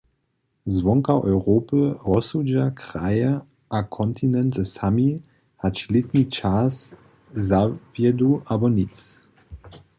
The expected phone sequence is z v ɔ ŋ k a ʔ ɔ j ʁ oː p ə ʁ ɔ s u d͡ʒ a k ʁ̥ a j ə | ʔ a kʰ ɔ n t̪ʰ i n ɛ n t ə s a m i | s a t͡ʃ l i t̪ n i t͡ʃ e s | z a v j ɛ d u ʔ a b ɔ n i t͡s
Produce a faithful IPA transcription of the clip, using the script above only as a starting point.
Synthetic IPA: z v ɔ ŋ k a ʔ ɔ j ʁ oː p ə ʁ ɔ s u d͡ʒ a k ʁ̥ a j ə | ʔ a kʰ ɔ n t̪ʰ i n ɛ n t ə s a m i | h a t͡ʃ l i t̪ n i t͡ʃ a s | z a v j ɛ d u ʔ a b ɔ n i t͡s